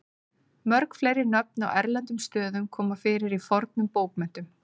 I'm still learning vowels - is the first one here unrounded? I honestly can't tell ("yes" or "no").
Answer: no